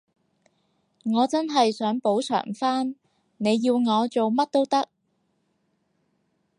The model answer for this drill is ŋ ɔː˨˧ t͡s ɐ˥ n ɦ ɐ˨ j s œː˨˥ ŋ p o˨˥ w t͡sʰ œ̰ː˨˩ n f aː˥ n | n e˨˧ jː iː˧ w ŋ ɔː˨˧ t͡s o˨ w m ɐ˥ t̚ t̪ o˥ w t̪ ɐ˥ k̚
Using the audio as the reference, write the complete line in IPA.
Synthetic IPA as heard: ŋ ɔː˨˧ t͡s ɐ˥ n ɦ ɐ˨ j s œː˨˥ ŋ p o˨˥ w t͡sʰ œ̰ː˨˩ ŋ f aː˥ n | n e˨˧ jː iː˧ w ŋ ɔː˨˧ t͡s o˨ w m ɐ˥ t̚ t̪ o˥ w t̪ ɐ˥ k̚